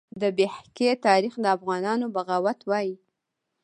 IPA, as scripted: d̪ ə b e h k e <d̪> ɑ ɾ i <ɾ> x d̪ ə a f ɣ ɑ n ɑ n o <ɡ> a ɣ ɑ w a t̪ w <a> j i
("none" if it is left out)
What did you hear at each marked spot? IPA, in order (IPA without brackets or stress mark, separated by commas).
t̪, none, b, ɑ